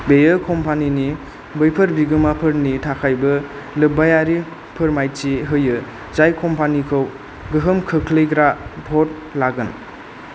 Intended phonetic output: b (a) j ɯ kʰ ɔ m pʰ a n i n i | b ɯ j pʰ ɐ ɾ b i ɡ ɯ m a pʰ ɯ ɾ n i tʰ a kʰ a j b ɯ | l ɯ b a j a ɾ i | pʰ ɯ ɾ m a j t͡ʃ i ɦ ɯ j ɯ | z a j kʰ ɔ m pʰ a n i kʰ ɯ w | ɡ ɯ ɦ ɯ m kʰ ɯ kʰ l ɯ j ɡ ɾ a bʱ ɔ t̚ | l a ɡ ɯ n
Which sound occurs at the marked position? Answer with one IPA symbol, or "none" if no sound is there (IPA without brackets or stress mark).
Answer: e